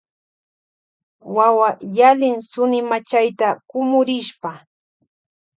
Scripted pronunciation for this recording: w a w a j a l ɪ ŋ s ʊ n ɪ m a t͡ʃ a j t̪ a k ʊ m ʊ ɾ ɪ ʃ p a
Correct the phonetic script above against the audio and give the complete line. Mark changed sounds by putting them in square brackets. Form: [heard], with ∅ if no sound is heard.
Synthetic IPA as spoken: w a w a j a l ɪ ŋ s ʊ n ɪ m a t͡ʃ a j t̪ a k ʊ m ʊ ɾ ɪ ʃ p a